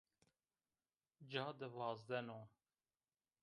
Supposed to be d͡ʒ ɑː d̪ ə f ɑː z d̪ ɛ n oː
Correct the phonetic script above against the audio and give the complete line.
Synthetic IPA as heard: d͡ʒ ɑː d̪ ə v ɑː z d̪ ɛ n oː